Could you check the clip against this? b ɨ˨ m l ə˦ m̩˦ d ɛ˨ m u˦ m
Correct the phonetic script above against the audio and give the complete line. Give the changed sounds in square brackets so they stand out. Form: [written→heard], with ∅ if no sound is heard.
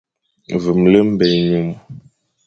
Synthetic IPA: [b→v] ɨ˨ m l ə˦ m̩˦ [d→b] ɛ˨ [m→ɲ] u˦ m